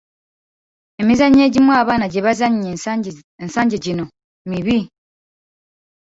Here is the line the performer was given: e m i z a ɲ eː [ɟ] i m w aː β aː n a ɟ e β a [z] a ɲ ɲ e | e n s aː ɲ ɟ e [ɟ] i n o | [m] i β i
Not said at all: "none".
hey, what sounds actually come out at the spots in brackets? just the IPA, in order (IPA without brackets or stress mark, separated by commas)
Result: ɟ, z, ɟ, m